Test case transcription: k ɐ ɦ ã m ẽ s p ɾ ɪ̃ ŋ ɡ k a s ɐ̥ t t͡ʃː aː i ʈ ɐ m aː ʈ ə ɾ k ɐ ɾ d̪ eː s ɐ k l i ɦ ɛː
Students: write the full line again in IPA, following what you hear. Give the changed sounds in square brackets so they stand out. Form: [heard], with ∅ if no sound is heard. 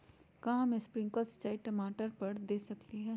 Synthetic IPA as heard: k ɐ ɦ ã m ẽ s p ɾ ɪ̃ ŋ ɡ k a s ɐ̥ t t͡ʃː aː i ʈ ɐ m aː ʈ ə ɾ [p] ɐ ɾ d̪ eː s ɐ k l i ɦ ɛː